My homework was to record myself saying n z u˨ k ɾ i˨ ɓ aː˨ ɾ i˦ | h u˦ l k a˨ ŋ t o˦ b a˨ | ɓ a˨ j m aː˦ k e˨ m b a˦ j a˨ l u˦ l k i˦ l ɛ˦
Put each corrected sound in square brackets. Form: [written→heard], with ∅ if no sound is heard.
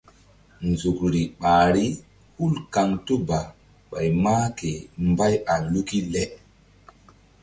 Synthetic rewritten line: n z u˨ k ɾ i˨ ɓ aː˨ ɾ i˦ | h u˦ l k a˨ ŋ t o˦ b a˨ | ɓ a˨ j m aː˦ k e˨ m b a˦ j a˨ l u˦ [l→∅] k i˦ l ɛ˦